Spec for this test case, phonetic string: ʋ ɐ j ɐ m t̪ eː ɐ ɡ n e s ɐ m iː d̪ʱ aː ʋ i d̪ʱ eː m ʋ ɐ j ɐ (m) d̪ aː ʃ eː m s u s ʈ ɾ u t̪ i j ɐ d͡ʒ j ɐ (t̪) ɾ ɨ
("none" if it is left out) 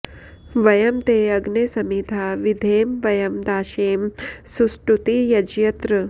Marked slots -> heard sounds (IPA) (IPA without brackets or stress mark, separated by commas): m, t̪